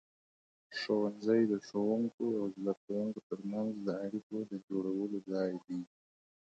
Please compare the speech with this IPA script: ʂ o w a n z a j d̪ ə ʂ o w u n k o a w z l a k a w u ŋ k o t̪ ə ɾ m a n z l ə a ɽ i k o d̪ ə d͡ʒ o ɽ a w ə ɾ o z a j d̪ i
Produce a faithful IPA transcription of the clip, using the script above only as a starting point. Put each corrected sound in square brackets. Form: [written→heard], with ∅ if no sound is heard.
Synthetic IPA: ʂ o w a n z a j d̪ ə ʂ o w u [n→ŋ] k o a w z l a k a w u ŋ k o t̪ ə ɾ m a n z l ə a ɽ i k o d̪ ə d͡ʒ o ɽ a w ə [ɾ→l] o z [a→ɑ] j d̪ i